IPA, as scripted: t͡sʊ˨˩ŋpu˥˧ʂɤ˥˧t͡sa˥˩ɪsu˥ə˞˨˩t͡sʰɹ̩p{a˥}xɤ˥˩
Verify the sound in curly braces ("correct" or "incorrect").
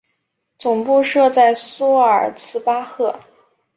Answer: correct